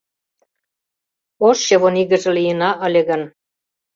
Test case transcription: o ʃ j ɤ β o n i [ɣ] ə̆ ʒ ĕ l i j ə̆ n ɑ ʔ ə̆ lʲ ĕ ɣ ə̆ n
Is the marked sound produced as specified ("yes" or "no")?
yes